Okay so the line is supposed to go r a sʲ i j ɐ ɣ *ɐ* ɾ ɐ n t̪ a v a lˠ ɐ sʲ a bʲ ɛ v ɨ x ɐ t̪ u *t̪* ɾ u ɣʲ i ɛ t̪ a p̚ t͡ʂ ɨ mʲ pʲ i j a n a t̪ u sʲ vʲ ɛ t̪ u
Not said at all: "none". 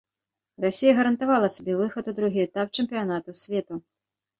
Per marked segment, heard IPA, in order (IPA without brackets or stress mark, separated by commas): ɐ, d̪